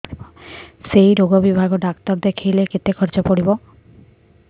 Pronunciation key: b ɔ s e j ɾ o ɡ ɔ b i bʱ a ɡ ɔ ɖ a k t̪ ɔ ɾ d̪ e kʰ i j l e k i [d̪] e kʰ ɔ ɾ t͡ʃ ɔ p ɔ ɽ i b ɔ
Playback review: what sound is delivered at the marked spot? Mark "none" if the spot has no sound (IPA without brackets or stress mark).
t̪